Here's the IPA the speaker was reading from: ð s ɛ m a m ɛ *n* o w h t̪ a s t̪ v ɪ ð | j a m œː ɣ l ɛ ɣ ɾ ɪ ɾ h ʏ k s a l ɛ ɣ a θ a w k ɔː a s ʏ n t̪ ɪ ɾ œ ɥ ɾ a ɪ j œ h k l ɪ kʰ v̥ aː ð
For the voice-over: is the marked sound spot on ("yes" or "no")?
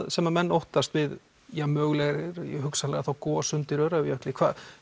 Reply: no